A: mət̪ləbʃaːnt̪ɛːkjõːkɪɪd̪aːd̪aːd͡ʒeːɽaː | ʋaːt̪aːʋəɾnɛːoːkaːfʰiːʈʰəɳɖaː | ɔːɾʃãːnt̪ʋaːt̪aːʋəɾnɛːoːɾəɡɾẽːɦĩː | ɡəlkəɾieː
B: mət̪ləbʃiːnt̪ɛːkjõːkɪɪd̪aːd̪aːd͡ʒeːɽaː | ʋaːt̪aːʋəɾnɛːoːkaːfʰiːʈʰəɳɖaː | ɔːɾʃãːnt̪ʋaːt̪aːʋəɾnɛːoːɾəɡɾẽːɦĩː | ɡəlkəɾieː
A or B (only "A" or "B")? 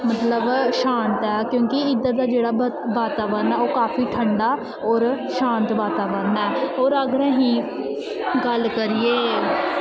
A